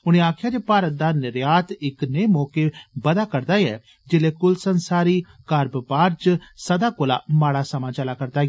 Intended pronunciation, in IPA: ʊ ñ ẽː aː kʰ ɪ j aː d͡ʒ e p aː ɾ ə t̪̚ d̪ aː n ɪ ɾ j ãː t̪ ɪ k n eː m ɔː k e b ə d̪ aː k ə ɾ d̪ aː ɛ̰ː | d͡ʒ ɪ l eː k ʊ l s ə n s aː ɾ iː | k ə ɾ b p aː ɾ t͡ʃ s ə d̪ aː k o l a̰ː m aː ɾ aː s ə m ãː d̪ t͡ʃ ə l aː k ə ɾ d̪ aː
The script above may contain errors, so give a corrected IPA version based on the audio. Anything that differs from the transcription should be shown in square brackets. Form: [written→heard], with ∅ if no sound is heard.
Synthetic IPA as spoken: ʊ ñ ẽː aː kʰ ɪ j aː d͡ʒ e p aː ɾ ə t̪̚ d̪ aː n ɪ ɾ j [ãː→aː] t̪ ɪ k n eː m ɔː k e b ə d̪ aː k ə ɾ d̪ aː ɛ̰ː | d͡ʒ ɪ l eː k ʊ l s ə n s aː ɾ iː | k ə ɾ b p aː ɾ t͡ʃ s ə d̪ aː k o l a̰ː m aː [ɾ→ɽ] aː s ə m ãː [d̪→∅] t͡ʃ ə l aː k ə ɾ d̪ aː